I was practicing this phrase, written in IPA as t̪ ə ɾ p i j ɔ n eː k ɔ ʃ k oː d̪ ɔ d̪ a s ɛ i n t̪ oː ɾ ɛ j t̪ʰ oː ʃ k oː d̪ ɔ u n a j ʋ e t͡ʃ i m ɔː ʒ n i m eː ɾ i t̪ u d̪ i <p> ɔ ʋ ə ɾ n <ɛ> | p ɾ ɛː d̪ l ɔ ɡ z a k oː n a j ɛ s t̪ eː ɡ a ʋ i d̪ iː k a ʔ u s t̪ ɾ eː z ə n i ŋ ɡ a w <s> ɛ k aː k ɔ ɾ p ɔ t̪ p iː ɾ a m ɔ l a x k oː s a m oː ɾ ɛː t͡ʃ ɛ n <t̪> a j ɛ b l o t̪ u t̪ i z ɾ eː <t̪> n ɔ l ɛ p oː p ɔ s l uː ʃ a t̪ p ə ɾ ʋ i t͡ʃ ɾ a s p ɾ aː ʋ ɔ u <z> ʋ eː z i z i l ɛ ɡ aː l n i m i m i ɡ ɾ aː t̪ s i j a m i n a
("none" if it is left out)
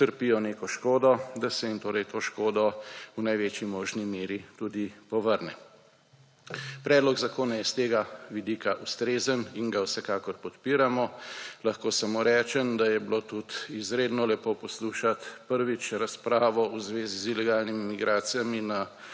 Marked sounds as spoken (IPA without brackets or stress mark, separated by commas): p, ɛ, s, d̪, d̪, z